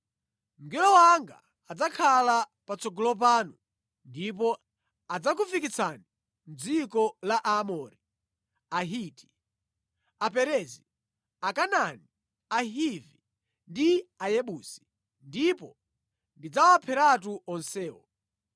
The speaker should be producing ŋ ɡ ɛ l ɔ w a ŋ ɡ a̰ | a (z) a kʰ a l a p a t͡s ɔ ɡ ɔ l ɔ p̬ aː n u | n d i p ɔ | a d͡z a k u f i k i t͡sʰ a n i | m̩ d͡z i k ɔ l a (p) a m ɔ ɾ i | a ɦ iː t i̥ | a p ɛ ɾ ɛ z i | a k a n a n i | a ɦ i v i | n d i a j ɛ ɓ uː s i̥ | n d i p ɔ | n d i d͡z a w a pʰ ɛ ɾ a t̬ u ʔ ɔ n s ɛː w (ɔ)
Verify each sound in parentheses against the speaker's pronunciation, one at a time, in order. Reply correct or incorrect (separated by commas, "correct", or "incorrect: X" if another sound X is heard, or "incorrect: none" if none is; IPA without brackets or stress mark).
incorrect: d͡z, incorrect: ʔ, correct